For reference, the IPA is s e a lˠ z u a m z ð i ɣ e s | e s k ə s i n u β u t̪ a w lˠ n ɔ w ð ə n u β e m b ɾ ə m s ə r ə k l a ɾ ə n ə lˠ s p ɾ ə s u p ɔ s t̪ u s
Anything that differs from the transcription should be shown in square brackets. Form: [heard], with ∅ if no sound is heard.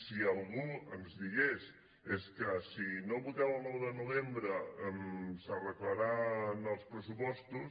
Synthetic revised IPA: s [i] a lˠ [ɣ] u [ə] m z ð i ɣ e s | e s k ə s i n [o] β u t̪ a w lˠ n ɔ w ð ə n u β e m b ɾ ə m s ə r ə k l a ɾ [a] n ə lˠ s p ɾ ə s u p ɔ s t̪ u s